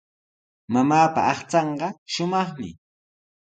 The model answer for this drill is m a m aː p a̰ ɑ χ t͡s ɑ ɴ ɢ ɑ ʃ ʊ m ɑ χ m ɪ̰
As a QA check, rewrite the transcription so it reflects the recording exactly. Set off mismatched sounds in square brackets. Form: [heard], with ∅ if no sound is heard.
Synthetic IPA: m a m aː p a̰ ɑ χ t͡s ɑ ɴ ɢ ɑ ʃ ʊ m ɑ χ m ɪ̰